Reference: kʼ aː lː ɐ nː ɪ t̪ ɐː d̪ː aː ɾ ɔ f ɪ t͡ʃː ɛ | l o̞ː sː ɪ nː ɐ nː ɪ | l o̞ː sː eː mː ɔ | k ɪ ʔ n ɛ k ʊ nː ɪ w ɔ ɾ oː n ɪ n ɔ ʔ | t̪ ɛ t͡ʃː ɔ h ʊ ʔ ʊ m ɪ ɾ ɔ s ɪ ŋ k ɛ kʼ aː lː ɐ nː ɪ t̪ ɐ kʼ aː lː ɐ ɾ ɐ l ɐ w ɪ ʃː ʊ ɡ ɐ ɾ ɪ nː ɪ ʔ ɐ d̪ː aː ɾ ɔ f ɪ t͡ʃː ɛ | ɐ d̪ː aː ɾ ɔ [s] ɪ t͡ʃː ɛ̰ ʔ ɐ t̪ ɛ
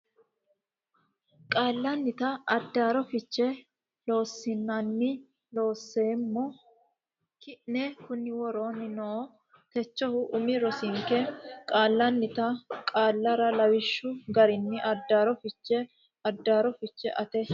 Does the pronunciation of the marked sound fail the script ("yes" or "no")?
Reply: yes